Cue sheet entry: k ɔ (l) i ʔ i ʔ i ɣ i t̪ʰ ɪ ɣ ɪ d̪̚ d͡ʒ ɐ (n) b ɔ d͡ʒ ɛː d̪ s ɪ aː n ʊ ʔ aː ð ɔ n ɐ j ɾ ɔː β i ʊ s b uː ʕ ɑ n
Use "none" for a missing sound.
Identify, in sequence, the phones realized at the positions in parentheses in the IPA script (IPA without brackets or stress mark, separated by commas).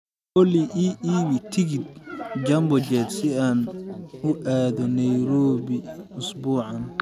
l, m